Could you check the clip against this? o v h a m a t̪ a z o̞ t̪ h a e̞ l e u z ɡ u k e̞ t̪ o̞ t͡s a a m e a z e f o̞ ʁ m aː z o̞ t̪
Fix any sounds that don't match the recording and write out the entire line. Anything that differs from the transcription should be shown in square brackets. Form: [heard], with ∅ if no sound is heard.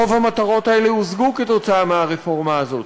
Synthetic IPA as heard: o v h a m a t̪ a [ʁ] o̞ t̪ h a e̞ l e u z ɡ u k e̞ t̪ o̞ t͡s a a m e a [ʁ] e f o̞ ʁ m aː z o̞ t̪

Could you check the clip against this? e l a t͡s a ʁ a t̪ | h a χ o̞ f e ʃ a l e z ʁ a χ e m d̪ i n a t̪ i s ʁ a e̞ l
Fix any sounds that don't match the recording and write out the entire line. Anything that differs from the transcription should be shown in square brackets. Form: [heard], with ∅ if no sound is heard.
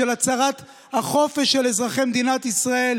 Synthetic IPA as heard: e l a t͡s a ʁ a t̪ | h a χ o̞ f e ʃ [e] l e z ʁ a χ e m d̪ i n a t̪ i s ʁ a e̞ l

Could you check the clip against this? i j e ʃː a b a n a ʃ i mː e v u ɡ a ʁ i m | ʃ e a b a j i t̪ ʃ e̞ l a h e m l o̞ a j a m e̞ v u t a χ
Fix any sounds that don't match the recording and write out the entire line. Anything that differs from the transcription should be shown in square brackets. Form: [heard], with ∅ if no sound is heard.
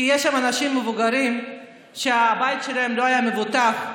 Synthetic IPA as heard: i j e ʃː a [m] a n a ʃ i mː e v u ɡ a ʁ i m | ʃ e a b a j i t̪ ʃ e̞ l a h e m l o̞ a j a m e̞ v u t a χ

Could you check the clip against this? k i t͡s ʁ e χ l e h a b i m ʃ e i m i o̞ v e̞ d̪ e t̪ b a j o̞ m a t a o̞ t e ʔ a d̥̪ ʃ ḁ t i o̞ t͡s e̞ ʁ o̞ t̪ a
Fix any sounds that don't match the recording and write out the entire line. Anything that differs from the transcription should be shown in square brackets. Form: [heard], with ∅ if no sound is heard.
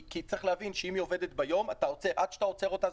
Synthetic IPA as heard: k i t͡s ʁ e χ l e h a [v] i [n] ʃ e i m i o̞ v e̞ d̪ e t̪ b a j o̞ m a t a o̞ [t͡s] e ʔ a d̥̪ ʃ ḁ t [a] o̞ t͡s e̞ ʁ o̞ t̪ a

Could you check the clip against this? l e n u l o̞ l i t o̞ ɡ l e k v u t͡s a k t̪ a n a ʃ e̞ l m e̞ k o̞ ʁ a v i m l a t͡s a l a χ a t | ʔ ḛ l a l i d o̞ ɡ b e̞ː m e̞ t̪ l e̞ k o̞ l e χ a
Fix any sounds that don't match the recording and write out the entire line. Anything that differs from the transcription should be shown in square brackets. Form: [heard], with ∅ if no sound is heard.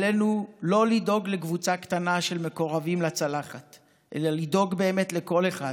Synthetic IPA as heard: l e n u l o̞ l i [d] o̞ ɡ l e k v u t͡s a k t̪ a n a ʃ e̞ l m e̞ k o̞ ʁ a v i m l a t͡s a l a χ a t | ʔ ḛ l a l i d o̞ ɡ b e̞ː m e̞ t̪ l e̞ k o̞ l e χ a

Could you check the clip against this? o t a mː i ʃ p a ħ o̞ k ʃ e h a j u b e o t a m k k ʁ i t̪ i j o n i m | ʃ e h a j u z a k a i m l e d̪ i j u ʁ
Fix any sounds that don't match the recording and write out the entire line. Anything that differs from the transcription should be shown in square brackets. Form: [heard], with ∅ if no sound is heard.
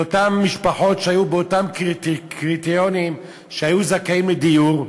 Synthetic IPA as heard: o t a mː i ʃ p a ħ o̞ [t] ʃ e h a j u b e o t a m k k ʁ i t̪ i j o n i m | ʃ e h a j u z a k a i m l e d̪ i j u ʁ

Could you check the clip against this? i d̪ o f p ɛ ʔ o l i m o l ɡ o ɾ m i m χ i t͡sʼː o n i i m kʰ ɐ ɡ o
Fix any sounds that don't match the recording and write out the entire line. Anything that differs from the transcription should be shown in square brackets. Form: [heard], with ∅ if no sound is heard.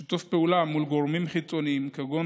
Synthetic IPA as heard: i [t̪] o f p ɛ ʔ [u] l [a] m [u] l ɡ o ɾ m i m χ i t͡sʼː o n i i m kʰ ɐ ɡ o

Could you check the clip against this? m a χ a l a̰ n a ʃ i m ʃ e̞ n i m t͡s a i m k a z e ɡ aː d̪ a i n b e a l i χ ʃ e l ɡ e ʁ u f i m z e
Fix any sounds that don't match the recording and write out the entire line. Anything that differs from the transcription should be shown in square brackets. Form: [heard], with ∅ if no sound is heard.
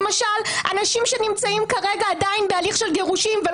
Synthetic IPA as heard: m a [ʃ] a l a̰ n a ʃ i m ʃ e̞ n i m t͡s a i m k a [ʁ] e ɡ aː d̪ a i n b e a l i χ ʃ e l ɡ e ʁ u [ʃ] i m [v] e

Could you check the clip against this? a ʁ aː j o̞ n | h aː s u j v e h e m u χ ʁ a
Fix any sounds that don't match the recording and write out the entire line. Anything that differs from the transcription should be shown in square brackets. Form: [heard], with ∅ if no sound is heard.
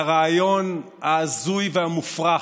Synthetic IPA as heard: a ʁ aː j o̞ n | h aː [z] u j v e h [a] m u [f] ʁ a

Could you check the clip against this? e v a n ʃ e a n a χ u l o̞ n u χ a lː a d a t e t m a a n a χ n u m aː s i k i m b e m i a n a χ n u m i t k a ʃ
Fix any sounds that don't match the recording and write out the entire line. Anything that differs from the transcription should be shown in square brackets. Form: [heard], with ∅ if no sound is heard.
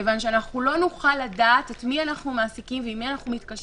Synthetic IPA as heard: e v a n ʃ e a n a χ u l o̞ n u χ a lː a d a t e t m [i] a n a χ n u m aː s i k i m [v] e m i a n a χ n u m i t k a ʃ

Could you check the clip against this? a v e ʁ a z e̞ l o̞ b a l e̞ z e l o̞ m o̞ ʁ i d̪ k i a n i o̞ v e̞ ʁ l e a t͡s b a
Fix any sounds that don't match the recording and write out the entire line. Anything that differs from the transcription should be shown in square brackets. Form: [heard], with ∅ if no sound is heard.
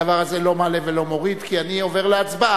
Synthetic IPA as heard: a v [a] ʁ a z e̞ l o̞ [m] a l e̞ [v] e l o̞ m o̞ ʁ i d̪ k i a n i o̞ v e̞ ʁ l e a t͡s b a

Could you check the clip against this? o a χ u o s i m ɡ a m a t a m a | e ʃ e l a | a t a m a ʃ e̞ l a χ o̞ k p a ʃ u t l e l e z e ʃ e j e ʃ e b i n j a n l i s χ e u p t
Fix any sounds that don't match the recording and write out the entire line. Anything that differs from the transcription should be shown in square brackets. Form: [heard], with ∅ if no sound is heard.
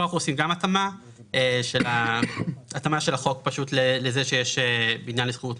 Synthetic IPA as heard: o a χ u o s i m ɡ a m a t a m a | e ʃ e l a | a t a m a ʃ e̞ l a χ o̞ k p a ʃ u t l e l e z e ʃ e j e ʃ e b i n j a n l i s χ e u [∅] t

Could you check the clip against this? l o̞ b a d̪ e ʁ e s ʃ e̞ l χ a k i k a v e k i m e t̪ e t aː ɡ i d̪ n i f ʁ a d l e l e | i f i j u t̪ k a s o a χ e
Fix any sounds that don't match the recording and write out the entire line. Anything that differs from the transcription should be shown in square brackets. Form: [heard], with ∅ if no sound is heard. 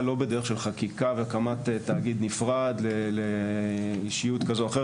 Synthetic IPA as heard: l o̞ b [e] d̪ e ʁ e [χ] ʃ e̞ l χ a k i k a v e k [a] m [a] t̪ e t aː ɡ i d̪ n i f ʁ a d l e l e | i [ʃ] i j u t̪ k a [z] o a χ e

